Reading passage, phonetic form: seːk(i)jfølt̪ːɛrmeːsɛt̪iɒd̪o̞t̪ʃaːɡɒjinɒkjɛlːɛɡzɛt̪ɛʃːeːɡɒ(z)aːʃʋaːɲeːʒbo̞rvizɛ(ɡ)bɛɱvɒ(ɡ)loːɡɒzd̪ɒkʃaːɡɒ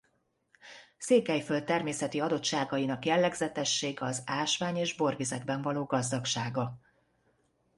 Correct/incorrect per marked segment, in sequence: incorrect, correct, correct, incorrect

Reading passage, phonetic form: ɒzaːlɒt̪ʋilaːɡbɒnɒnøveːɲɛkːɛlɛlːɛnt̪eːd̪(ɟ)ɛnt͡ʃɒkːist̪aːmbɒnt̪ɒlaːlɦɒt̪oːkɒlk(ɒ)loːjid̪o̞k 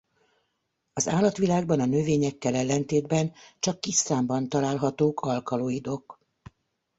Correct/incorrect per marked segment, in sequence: incorrect, correct

